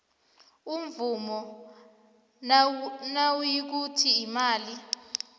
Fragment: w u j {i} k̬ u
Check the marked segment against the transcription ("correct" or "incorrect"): correct